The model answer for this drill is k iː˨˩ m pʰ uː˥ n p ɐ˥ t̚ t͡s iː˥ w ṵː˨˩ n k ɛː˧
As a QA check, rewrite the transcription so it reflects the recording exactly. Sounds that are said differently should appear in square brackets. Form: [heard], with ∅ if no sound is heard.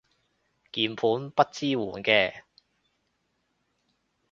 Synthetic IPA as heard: k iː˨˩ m pʰ [uː˨˥] n p ɐ˥ t̚ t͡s iː˥ w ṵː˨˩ n k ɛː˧